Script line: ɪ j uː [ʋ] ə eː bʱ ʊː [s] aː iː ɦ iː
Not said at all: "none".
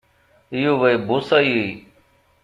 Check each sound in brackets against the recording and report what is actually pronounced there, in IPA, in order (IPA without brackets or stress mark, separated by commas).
ʋ, s